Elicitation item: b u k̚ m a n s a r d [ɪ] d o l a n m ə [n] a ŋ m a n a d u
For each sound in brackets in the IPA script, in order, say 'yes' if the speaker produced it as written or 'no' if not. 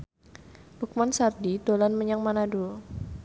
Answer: no, no

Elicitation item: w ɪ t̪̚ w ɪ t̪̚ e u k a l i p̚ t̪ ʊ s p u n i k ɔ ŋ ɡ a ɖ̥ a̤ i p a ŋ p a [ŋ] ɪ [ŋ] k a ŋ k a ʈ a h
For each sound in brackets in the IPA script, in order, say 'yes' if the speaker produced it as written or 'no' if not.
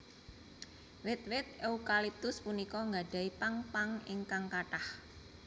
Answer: yes, yes

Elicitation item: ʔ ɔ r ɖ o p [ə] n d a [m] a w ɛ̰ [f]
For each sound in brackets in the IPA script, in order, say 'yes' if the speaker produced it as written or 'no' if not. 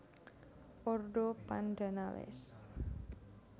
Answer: no, no, no

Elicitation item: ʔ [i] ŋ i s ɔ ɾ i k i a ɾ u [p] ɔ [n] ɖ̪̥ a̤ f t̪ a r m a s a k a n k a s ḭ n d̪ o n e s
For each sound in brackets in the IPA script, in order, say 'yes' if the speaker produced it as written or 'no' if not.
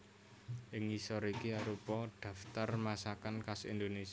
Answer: no, yes, no

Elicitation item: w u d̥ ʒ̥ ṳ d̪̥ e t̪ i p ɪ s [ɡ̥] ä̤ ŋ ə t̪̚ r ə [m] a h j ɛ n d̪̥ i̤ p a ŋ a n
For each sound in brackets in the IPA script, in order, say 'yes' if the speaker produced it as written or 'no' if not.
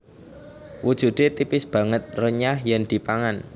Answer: no, no

